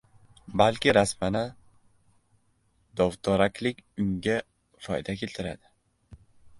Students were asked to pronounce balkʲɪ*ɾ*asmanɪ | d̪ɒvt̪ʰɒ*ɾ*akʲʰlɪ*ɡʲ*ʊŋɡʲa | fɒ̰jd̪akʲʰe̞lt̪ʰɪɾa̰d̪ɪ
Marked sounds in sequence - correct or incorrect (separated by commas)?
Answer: correct, correct, incorrect